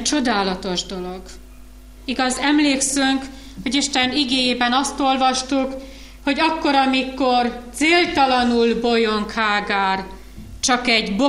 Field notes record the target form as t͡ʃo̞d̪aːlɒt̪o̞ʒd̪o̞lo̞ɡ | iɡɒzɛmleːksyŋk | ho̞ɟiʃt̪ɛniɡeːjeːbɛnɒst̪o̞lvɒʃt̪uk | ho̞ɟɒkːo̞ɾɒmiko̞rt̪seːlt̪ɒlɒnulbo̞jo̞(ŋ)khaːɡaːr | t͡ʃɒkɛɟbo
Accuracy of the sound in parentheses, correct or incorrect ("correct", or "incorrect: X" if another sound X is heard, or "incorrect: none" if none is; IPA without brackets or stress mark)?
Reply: correct